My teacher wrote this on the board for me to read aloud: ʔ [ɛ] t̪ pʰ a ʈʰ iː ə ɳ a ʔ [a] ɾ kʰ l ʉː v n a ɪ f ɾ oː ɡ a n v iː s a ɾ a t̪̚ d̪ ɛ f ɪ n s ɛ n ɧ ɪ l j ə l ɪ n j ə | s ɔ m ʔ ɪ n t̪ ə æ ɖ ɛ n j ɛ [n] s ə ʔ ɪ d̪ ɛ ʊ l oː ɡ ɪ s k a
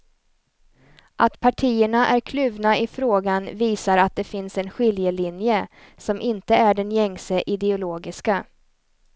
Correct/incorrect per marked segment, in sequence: incorrect: a, incorrect: æ, incorrect: ŋ

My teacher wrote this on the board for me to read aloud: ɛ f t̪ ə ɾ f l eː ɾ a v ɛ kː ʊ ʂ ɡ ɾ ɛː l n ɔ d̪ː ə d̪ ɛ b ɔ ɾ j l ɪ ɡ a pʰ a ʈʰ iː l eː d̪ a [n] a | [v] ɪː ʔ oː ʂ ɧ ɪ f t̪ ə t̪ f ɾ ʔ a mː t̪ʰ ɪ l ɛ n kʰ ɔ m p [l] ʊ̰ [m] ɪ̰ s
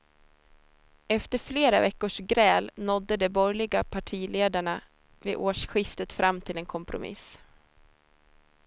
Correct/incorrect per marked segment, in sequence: incorrect: ɳ, correct, incorrect: ɾ, correct

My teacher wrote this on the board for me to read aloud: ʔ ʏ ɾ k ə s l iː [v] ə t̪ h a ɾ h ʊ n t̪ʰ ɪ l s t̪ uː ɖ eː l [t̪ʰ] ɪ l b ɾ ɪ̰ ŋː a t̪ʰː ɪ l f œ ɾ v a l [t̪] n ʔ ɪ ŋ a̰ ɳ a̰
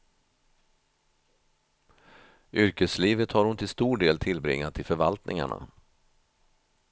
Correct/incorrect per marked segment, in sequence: correct, correct, correct

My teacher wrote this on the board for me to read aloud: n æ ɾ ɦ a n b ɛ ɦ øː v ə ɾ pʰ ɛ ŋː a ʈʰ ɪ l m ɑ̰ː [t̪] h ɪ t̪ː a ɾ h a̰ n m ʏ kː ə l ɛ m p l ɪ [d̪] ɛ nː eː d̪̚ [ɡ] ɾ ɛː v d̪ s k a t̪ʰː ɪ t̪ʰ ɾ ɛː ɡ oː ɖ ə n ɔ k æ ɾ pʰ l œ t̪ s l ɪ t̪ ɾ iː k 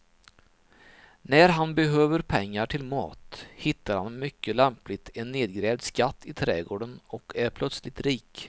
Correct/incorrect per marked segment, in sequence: correct, incorrect: t̪, correct

